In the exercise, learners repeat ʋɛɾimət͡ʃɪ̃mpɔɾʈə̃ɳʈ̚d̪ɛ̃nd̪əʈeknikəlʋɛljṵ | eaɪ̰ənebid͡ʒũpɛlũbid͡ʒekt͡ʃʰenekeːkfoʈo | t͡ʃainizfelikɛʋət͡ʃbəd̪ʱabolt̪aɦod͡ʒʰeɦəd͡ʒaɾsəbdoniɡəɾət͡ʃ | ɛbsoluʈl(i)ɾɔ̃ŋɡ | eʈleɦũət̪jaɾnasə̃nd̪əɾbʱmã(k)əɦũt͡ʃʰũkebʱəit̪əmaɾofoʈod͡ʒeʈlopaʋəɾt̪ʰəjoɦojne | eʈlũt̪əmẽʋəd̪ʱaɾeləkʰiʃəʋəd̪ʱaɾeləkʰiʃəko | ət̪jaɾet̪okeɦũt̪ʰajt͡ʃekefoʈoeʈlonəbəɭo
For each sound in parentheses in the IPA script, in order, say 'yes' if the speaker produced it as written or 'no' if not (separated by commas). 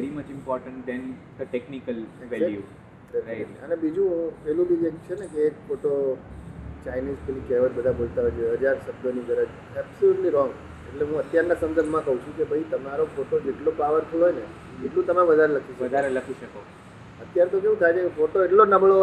yes, yes